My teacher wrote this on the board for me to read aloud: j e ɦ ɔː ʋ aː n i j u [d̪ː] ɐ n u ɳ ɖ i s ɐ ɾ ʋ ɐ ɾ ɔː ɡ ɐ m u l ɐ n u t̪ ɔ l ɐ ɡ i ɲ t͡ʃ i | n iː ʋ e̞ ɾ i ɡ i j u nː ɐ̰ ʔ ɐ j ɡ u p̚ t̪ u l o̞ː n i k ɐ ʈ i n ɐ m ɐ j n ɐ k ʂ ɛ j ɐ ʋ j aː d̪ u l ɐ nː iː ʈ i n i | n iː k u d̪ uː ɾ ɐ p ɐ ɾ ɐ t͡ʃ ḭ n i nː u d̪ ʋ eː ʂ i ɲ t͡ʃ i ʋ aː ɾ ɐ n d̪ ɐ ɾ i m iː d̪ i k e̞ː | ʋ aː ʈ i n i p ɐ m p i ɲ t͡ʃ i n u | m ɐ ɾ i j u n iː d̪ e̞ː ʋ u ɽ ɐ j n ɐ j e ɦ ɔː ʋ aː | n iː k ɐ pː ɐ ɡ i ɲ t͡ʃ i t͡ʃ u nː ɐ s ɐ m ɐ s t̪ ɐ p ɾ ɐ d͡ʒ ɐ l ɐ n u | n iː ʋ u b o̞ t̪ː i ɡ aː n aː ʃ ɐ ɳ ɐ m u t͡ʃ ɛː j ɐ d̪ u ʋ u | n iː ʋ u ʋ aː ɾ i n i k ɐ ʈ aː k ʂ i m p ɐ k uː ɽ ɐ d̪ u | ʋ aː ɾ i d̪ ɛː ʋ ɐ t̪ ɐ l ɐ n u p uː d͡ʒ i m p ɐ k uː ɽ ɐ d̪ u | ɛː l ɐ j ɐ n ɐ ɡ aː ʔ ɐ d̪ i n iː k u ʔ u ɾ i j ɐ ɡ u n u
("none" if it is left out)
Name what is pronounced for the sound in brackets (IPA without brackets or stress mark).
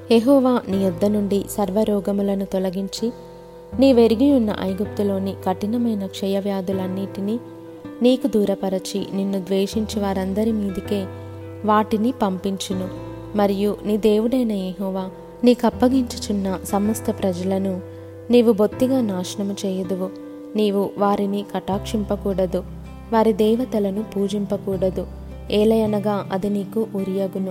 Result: d̪ː